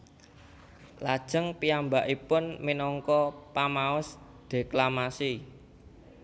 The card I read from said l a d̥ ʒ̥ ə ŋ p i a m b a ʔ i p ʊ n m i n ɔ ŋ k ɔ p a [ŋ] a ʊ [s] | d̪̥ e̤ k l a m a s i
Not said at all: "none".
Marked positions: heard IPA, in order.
m, s

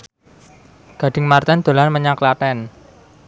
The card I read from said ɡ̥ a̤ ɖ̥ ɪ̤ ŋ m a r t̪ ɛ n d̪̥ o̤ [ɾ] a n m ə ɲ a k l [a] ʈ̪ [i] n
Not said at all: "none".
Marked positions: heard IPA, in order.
l, a, ɛ

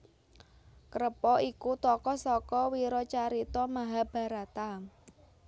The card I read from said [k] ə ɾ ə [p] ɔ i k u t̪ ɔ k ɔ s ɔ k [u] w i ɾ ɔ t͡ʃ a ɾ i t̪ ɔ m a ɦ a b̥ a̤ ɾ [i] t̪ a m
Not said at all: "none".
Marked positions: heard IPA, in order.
k, p, ɔ, a

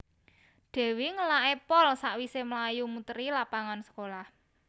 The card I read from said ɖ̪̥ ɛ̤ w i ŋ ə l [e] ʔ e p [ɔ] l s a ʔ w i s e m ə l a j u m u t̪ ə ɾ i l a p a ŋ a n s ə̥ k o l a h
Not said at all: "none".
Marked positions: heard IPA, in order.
a, ɔ

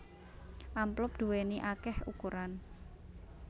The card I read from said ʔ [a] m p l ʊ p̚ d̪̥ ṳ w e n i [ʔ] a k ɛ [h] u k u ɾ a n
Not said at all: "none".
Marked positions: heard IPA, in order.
a, ʔ, h

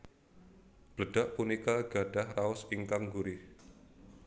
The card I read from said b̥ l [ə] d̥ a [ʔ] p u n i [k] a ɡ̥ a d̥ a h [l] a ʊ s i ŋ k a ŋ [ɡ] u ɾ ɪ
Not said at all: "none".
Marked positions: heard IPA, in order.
ə, ʔ, k, r, ɡ

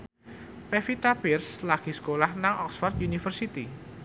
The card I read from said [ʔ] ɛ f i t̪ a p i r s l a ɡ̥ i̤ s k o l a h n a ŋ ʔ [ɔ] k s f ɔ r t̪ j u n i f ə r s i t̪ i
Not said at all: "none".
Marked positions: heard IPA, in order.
p, ɔ

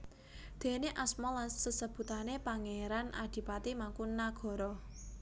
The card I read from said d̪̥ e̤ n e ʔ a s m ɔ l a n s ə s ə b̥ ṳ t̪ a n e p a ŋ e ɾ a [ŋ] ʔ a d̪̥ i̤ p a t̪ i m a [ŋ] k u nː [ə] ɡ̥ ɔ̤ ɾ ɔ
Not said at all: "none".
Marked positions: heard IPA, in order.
n, ŋ, a

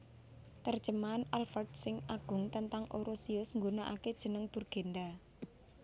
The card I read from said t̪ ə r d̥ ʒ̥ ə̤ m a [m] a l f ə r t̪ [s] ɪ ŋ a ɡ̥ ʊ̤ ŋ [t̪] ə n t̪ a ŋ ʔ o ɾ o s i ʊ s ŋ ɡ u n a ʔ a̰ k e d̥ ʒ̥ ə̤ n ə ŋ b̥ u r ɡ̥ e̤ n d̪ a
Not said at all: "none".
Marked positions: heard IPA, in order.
n, s, t̪

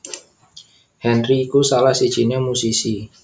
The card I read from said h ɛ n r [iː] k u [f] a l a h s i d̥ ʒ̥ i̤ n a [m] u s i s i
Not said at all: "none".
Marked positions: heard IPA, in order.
iː, s, m

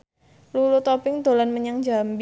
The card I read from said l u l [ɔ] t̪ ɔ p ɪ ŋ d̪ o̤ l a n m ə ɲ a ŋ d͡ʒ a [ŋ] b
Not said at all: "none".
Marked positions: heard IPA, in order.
u, m

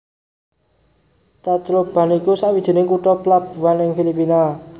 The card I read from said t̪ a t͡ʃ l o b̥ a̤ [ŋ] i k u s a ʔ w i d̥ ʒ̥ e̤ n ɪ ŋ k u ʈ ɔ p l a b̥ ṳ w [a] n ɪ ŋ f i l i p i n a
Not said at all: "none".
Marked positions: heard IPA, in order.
n, a

